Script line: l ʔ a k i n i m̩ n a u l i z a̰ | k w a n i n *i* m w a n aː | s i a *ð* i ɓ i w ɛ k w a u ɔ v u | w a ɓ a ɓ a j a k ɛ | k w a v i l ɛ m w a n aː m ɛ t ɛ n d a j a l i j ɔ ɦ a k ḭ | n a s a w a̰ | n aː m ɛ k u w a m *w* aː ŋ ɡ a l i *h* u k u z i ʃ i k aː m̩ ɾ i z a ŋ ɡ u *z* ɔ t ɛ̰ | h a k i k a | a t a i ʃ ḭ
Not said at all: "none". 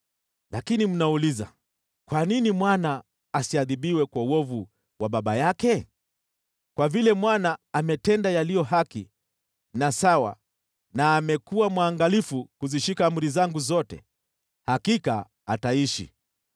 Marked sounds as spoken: i, ð, w, f, z

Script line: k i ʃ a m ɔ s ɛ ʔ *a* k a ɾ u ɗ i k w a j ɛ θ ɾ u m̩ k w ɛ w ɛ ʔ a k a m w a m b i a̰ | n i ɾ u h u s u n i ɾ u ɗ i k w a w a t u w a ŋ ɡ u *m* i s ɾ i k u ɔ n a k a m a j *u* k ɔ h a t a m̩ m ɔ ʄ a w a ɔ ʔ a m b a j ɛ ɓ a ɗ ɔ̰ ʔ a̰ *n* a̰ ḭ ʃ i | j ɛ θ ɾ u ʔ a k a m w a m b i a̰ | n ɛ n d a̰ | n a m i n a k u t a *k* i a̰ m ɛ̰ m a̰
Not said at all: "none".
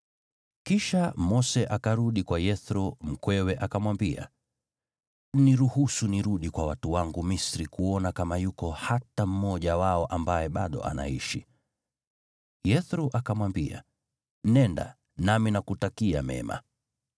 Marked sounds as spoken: a, m, u, n, k

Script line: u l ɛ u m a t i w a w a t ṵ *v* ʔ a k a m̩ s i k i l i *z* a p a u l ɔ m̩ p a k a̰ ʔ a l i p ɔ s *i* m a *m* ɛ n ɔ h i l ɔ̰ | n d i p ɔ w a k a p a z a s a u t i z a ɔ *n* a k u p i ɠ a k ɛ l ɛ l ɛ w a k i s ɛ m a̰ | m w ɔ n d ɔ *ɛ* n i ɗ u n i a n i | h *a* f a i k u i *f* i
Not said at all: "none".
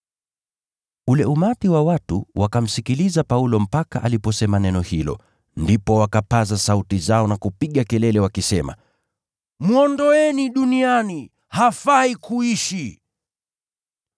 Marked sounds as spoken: w, z, ɛ, n, n, ɛ, a, ʃ

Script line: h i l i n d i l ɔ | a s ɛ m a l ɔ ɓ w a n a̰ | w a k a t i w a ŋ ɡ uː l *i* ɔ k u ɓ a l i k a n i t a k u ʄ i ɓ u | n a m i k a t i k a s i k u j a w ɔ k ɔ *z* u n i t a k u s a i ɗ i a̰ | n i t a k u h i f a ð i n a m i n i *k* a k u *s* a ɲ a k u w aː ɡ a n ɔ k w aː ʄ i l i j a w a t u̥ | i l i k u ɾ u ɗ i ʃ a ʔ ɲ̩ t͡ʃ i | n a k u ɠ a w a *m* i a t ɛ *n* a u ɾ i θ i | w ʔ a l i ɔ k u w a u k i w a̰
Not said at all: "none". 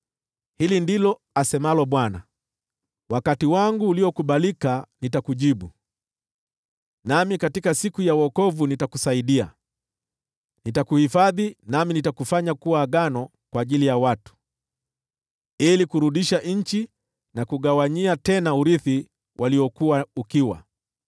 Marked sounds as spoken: i, v, t, f, ɲ, n

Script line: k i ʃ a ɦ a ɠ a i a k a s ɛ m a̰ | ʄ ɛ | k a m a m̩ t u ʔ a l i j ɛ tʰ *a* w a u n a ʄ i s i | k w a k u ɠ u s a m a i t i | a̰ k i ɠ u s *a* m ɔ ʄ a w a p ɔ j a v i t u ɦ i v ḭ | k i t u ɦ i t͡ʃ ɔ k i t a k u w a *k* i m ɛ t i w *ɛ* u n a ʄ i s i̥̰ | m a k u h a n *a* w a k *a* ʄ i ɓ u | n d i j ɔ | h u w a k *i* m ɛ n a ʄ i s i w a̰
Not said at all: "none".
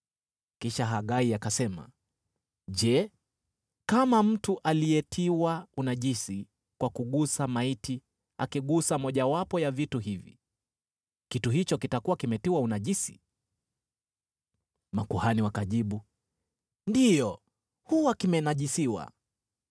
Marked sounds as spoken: i, a, k, a, i, a, i

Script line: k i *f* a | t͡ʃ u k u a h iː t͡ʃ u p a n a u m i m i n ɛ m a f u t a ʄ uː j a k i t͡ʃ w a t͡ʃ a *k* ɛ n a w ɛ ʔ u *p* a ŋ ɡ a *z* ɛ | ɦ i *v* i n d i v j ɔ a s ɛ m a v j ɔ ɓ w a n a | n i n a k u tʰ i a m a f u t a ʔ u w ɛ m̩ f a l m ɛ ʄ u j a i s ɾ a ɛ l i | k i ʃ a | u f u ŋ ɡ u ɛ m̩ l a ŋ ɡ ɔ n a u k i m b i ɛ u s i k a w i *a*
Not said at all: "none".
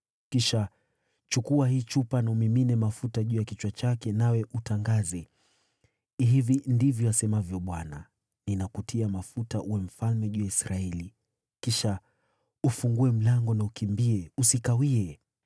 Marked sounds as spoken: ʃ, k, t, z, v, ɛ

